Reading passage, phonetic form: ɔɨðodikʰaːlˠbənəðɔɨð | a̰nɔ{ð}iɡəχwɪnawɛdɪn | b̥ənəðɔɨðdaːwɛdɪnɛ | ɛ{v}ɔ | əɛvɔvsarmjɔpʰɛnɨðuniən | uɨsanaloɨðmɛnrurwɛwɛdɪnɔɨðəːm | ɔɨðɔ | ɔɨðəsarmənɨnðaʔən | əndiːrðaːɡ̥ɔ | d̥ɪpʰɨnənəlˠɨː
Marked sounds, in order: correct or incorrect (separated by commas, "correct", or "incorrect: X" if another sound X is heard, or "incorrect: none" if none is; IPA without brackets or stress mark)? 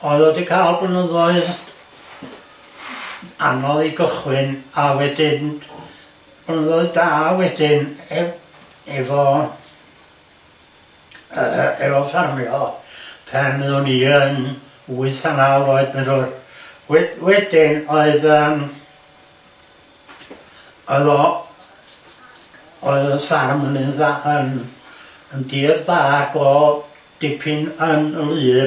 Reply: correct, correct